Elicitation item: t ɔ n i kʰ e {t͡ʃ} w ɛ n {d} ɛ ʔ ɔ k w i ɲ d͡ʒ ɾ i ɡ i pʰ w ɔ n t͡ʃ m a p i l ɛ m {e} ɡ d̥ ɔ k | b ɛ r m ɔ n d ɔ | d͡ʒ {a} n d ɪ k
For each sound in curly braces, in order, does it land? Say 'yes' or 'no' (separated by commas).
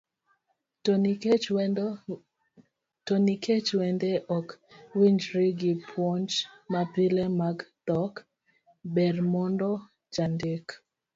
yes, yes, no, yes